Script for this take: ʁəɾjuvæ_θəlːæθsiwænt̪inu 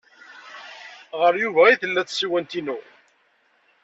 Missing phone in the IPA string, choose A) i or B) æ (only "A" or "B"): A